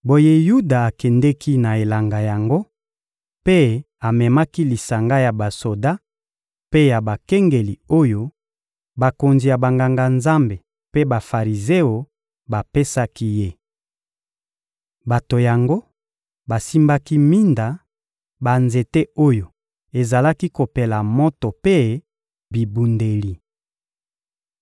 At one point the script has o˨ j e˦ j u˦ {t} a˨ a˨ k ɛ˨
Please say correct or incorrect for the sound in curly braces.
incorrect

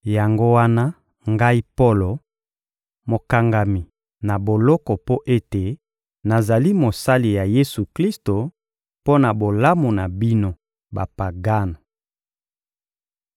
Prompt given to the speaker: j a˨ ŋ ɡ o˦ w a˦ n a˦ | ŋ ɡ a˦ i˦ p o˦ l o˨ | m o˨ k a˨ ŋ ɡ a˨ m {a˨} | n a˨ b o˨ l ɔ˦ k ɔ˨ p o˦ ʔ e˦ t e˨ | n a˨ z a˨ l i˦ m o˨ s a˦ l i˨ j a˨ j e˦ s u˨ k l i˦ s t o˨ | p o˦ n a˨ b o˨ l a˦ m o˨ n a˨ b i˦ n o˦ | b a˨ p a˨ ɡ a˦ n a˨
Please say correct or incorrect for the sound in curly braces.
incorrect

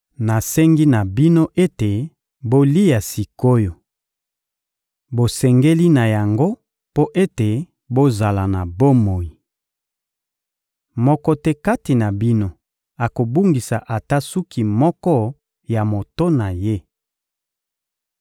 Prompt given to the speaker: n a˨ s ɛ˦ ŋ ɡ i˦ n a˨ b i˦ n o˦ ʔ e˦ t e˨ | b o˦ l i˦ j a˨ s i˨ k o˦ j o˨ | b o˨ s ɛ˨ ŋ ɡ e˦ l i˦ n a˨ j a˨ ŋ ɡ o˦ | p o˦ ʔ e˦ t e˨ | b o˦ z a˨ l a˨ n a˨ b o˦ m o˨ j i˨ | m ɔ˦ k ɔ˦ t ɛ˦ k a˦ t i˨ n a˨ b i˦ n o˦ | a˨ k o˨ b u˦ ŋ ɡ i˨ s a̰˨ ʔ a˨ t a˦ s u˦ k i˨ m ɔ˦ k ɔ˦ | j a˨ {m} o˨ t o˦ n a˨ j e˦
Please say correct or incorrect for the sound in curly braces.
correct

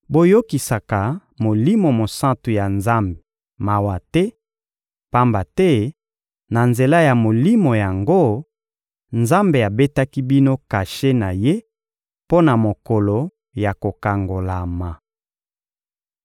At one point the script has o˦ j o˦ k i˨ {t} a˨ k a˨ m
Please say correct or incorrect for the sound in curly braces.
incorrect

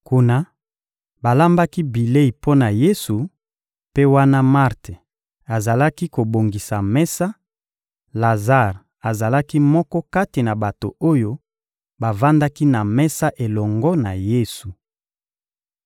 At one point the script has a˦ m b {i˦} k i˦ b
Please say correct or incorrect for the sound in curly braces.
incorrect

